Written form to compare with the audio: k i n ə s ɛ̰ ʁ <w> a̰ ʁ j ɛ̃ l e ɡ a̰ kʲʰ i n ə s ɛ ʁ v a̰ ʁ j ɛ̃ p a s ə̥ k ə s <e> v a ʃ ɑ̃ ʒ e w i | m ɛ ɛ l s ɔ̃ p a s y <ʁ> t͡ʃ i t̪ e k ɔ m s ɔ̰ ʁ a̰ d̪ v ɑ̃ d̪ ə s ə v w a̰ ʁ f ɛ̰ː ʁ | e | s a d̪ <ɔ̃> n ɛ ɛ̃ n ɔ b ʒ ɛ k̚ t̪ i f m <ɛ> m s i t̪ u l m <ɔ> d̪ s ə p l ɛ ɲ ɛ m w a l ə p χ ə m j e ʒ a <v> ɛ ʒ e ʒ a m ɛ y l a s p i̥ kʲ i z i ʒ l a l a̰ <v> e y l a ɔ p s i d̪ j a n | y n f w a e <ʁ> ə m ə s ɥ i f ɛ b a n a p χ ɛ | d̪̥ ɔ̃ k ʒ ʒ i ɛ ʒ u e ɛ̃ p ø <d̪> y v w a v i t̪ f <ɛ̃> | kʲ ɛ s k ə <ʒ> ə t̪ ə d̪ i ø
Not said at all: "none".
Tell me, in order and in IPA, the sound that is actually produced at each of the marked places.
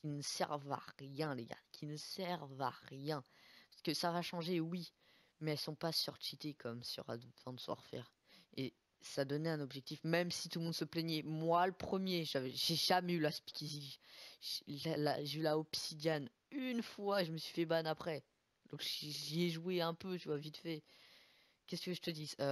v, a, ʁ, ɔ, ɛ, ɔ̃, v, ʒ, ʒ, t̪, ɛ, ʒ

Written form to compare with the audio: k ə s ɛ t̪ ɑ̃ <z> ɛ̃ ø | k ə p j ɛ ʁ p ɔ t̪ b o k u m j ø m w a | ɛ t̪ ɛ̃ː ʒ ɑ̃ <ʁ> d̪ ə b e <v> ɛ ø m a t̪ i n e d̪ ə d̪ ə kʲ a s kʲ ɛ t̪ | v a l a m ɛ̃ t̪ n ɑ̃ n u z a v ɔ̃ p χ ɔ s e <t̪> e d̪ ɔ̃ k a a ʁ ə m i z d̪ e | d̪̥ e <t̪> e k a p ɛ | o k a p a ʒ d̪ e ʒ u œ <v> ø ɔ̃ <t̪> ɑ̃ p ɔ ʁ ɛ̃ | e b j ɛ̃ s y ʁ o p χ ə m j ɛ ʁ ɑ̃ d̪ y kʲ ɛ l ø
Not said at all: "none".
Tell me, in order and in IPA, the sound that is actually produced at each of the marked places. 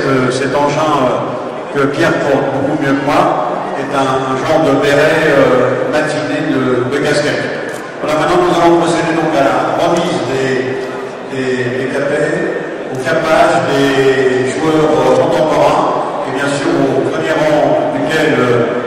ʒ, ʁ, ʁ, d̪, d̪, ʁ, t̪

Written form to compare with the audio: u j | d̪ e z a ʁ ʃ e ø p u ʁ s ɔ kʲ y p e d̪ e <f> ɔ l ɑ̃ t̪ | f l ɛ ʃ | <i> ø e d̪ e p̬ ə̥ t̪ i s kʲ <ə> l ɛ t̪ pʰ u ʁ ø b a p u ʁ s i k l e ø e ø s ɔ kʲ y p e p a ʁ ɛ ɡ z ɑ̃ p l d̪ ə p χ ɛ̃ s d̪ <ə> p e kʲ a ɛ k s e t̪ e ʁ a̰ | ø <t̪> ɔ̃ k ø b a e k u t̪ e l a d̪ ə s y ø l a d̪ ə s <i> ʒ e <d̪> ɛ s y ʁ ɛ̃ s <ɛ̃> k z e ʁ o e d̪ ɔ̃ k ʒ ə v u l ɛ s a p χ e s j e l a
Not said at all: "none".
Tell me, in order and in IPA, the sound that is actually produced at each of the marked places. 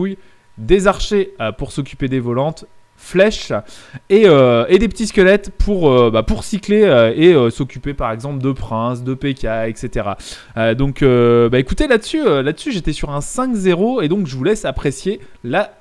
v, e, ə, ə, d̪, y, t̪, ɛ̃

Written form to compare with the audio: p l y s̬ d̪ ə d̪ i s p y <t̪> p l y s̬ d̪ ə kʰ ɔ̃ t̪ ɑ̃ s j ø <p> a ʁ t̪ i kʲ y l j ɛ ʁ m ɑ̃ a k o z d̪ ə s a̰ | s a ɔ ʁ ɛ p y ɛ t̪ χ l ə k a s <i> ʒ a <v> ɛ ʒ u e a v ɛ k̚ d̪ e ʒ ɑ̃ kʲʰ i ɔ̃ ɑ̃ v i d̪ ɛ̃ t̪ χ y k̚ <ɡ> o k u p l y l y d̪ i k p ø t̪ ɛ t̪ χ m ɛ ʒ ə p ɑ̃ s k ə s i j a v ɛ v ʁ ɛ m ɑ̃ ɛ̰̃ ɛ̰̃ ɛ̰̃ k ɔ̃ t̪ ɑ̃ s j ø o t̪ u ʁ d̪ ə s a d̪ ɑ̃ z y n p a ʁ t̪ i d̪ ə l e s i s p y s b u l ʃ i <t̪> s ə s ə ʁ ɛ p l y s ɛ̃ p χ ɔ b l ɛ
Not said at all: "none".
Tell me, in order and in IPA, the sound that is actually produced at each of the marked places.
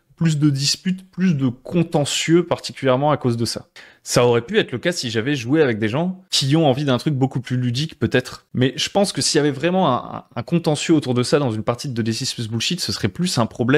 t̪, p, i, v, b, t̪

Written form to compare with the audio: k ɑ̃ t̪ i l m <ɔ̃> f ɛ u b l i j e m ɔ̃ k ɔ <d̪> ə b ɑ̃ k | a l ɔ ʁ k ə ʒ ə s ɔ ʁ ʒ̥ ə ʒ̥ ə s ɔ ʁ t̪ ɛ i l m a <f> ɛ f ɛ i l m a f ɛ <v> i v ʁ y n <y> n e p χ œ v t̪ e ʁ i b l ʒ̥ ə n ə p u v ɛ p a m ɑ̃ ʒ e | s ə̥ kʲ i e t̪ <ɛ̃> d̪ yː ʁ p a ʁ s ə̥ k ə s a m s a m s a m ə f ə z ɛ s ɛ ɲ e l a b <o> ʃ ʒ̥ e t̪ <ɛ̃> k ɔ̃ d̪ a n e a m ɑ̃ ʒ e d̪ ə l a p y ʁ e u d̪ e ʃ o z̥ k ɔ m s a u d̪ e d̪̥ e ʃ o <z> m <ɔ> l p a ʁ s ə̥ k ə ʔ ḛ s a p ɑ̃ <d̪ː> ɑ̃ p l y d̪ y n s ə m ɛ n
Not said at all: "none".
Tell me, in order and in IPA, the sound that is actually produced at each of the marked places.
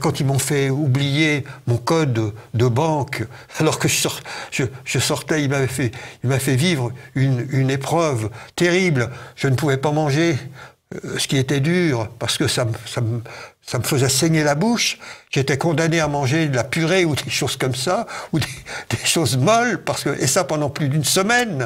ɔ̃, d̪ː, v, v, y, ɛ, u, ɛ, z, ɔ, d̪

